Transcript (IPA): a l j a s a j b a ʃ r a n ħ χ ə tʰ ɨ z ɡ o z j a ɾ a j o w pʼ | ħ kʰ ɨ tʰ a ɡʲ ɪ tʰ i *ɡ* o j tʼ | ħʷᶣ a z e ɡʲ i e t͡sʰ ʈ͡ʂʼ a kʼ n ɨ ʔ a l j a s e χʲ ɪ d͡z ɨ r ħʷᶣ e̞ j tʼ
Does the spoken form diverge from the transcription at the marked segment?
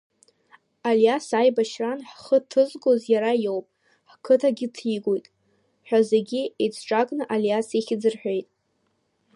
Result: no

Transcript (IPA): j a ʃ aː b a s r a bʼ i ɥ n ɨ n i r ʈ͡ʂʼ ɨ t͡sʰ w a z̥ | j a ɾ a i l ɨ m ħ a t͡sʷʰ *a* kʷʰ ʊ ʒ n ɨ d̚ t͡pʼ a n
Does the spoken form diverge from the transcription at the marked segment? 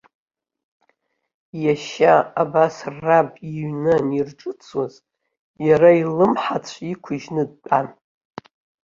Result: yes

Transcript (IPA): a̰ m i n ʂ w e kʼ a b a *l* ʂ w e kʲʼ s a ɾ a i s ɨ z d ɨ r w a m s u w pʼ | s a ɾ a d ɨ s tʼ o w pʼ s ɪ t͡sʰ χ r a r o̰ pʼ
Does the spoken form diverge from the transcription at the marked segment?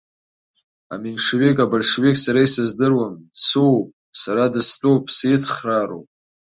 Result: no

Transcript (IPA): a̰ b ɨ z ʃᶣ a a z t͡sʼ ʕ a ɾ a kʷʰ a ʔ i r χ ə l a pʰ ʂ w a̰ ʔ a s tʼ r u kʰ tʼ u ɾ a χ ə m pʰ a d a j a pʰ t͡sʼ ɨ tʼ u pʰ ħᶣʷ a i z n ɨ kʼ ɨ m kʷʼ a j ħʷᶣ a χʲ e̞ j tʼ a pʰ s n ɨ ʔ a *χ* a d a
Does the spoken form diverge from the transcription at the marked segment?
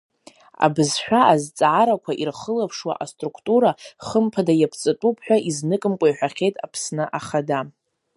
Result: no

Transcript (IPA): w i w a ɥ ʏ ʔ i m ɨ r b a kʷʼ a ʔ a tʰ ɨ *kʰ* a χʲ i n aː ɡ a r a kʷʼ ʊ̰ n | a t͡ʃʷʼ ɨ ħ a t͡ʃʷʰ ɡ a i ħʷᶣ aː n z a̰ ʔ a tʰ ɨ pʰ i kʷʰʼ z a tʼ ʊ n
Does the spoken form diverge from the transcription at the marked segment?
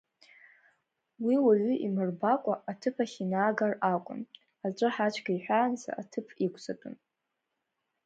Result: yes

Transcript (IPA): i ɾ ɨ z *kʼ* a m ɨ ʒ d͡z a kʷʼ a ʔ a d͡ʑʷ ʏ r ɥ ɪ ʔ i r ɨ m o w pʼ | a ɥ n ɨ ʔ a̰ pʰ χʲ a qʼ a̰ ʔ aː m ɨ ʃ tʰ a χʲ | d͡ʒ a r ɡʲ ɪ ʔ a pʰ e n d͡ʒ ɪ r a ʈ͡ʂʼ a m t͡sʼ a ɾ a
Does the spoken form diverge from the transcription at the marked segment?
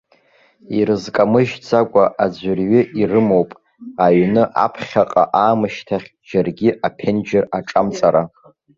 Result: no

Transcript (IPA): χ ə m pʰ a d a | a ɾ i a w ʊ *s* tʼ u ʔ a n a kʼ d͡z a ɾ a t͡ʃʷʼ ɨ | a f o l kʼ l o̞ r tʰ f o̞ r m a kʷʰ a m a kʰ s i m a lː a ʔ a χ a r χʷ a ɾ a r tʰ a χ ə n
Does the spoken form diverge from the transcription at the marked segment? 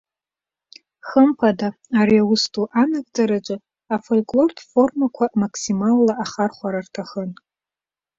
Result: no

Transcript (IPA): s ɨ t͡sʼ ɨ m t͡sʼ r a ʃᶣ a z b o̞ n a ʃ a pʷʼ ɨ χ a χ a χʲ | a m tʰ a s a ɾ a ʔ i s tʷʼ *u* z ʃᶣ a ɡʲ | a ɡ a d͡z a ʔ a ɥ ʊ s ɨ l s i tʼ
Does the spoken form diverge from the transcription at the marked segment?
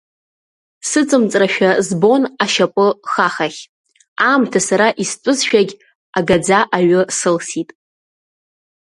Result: yes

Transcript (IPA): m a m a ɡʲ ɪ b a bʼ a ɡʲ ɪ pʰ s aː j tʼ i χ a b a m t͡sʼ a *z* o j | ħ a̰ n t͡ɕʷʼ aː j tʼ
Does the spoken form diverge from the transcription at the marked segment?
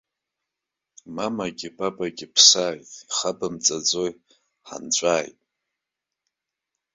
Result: yes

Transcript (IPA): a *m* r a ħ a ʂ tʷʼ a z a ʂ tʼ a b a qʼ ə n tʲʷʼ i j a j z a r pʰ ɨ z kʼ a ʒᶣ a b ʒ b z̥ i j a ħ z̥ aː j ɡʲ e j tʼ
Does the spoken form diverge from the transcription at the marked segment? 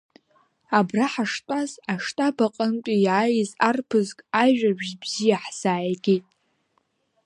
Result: yes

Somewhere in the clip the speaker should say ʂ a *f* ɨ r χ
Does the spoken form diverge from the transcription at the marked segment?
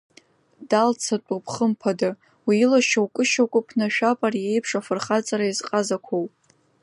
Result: no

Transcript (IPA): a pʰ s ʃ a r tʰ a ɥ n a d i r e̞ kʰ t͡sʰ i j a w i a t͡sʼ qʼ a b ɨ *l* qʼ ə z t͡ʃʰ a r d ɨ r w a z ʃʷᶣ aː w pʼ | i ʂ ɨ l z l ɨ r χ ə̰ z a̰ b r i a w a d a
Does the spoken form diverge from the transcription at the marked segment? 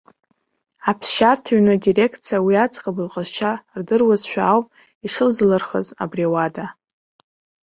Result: no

